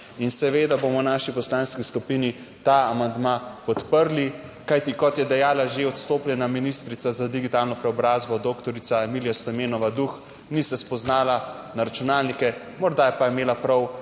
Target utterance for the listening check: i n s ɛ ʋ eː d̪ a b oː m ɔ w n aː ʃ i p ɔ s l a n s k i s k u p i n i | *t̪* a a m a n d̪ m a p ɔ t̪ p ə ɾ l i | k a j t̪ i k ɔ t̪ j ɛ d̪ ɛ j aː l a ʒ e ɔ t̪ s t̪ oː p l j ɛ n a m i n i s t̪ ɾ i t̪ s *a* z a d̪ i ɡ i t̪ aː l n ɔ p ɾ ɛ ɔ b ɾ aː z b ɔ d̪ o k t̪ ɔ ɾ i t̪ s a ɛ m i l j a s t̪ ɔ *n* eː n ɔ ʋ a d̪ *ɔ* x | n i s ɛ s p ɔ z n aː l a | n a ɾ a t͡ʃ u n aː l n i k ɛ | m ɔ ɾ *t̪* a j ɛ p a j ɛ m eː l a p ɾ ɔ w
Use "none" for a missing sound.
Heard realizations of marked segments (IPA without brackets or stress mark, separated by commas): t̪, a, m, u, d̪